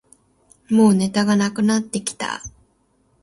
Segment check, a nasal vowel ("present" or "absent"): absent